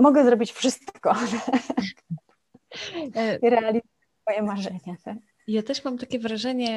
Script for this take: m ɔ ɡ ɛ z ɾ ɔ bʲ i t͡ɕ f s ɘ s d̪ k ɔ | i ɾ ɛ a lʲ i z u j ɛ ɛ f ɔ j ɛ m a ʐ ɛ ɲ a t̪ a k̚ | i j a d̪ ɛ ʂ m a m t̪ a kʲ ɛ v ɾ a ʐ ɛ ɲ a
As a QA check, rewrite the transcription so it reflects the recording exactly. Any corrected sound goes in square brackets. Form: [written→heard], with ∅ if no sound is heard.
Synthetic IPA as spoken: m ɔ ɡ ɛ z ɾ ɔ bʲ i t͡ɕ f [s→ʂ] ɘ s [d̪→t̪] k ɔ | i ɾ ɛ a lʲ i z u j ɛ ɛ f ɔ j ɛ m a ʐ ɛ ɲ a t̪ a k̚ | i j a [d̪→t̪] ɛ ʂ m a m t̪ a kʲ ɛ v ɾ a ʐ ɛ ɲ [a→ɛ]